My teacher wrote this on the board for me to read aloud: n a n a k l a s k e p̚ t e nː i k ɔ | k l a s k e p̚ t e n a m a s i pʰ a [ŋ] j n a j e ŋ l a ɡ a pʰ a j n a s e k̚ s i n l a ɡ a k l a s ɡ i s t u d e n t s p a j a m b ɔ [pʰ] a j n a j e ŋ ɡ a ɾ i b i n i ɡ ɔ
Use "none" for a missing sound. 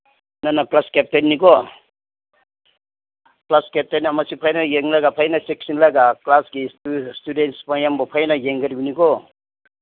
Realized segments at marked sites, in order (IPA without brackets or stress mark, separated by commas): none, pʰ